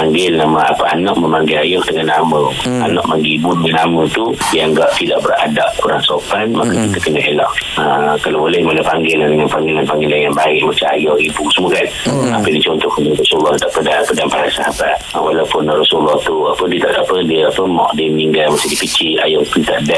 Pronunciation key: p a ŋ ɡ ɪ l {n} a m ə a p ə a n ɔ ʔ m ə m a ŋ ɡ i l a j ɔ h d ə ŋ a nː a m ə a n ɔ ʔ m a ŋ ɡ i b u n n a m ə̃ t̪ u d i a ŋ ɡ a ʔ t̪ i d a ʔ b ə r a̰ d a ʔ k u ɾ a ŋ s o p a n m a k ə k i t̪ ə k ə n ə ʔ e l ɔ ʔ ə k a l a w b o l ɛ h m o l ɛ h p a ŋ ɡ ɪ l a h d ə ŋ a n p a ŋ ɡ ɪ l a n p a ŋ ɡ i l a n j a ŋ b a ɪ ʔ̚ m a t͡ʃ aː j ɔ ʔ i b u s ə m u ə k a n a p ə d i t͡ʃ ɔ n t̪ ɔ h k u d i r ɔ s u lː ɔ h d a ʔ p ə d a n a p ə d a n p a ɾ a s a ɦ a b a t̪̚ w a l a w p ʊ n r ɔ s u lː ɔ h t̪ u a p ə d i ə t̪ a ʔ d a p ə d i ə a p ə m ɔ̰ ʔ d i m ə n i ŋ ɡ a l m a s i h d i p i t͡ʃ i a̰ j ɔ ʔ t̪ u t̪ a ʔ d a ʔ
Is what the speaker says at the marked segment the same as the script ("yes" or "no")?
yes